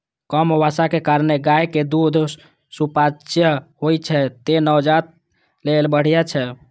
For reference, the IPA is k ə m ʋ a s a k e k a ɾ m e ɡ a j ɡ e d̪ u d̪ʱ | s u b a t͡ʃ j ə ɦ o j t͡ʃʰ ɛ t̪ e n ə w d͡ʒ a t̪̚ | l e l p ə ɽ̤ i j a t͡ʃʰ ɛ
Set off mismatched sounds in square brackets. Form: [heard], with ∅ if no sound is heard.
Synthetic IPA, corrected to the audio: k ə m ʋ a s a k e k a ɾ [n] e ɡ a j [k] e d̪ u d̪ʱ | s u [p] a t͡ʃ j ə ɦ o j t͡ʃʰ ɛ t̪ e n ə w d͡ʒ a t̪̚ | l e l [b] ə ɽ̤ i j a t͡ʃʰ ɛ